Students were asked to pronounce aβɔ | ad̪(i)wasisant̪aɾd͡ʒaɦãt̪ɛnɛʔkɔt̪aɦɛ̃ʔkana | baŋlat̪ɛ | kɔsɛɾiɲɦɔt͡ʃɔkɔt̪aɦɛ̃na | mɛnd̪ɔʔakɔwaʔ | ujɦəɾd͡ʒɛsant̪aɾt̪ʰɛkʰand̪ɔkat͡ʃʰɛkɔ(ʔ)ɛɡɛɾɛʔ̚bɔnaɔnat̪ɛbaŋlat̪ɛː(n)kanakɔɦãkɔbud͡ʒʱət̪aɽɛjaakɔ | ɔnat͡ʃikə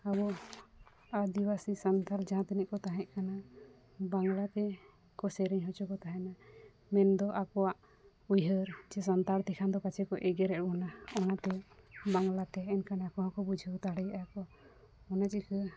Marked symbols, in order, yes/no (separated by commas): yes, yes, yes